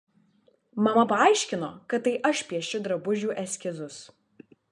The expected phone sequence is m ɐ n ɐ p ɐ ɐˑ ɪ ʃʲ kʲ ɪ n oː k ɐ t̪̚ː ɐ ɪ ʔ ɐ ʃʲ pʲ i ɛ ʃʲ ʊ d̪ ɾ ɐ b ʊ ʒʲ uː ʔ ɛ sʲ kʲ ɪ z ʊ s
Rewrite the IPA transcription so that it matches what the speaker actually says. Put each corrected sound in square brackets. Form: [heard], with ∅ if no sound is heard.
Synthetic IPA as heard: m ɐ [m] ɐ p ɐ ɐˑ ɪ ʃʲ kʲ ɪ n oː k ɐ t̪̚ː ɐ ɪ ʔ ɐ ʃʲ pʲ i ɛ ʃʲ ʊ d̪ ɾ ɐ b ʊ ʒʲ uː ʔ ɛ sʲ kʲ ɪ z ʊ s